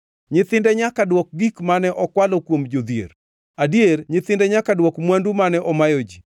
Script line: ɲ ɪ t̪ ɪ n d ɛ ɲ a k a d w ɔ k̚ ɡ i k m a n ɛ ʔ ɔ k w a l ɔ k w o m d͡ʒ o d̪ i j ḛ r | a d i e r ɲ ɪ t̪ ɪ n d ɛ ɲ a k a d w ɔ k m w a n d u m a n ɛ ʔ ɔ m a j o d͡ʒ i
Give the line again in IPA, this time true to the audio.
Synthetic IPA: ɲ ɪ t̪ ɪ n d ɛ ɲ a k a d w ɔ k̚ ɡ i k m a n ɛ ʔ ɔ k w a l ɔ k w o m d͡ʒ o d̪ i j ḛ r | a d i e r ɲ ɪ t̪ ɪ n d ɛ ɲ a k a d w ɔ k m w a n d u m a n ɛ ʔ ɔ m a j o d͡ʒ i